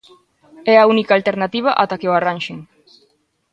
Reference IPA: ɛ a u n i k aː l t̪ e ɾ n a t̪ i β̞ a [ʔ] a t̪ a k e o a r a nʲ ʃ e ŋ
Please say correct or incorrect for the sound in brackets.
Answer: correct